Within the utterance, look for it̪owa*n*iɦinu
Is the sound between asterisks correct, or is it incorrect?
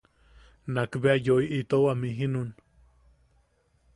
incorrect: m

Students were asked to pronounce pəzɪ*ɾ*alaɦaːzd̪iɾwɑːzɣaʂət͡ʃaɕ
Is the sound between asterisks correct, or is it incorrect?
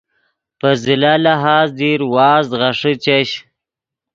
incorrect: l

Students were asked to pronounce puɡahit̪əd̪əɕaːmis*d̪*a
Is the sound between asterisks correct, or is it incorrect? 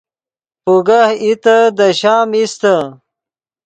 incorrect: t̪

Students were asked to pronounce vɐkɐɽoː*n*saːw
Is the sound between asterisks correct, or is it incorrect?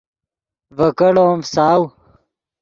incorrect: m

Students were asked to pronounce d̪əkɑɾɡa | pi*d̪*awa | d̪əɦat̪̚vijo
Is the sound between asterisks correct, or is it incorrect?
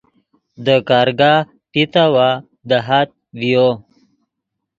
incorrect: t̪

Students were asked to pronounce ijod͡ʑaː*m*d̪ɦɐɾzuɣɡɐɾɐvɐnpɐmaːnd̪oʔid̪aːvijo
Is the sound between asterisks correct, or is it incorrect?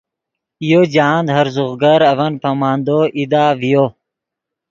incorrect: n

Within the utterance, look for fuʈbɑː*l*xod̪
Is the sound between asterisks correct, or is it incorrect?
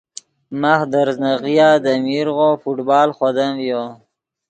correct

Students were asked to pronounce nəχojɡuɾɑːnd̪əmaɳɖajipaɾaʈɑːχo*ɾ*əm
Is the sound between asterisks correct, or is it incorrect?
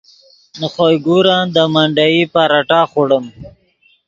incorrect: ɽ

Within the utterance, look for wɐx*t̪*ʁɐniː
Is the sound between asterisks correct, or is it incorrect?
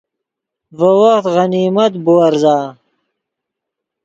correct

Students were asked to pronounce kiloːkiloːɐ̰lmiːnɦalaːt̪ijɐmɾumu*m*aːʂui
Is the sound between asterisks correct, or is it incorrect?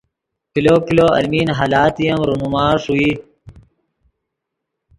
correct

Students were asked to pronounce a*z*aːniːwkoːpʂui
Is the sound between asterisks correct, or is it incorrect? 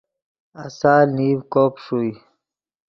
incorrect: s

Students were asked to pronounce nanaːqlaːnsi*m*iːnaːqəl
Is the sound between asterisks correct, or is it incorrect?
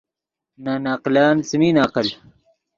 correct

